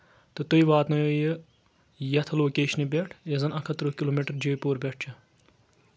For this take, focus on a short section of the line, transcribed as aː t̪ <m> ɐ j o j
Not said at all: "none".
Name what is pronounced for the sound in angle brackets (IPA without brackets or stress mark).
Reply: n